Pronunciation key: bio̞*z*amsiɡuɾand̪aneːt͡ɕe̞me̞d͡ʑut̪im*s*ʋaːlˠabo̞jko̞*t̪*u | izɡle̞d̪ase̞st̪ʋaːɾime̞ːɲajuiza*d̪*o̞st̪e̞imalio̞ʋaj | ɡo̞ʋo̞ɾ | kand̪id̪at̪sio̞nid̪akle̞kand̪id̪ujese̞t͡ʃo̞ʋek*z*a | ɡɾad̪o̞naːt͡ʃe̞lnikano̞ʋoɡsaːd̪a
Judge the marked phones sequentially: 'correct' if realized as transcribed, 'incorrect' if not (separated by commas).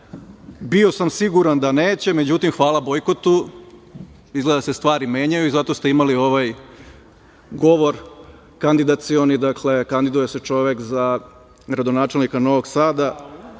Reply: incorrect, incorrect, correct, incorrect, correct